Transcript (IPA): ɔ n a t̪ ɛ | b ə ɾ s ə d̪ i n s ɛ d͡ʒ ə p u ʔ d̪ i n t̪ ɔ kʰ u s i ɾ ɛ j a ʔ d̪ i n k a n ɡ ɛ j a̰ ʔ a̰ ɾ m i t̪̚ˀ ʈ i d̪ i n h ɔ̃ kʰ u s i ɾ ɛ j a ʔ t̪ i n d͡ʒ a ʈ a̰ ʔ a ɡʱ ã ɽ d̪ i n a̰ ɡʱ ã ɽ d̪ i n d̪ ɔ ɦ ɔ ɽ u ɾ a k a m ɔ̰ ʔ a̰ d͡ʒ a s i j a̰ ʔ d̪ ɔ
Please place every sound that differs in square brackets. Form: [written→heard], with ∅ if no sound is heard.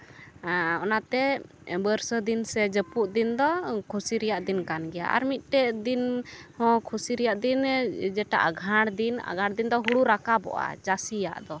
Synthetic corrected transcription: ɔ n a t̪ ɛ | b ə ɾ s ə d̪ i n s ɛ d͡ʒ ə p u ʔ d̪ i n [t̪→d̪] ɔ kʰ u s i ɾ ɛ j a ʔ d̪ i n k a n ɡ ɛ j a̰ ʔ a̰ ɾ m i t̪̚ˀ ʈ [i→ɛ] d̪ i n h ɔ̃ kʰ u s i ɾ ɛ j a ʔ [t̪→d̪] i n d͡ʒ [a→ɛ] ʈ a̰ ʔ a ɡʱ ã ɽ d̪ i n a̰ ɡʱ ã ɽ d̪ i n d̪ ɔ ɦ [ɔ→u] ɽ u ɾ a k a [m→b] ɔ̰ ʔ a̰ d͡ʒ a s i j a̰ ʔ d̪ ɔ